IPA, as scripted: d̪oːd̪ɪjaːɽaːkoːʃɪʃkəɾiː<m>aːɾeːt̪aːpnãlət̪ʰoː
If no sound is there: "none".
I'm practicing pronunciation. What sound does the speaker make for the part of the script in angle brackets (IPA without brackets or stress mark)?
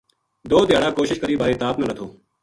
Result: b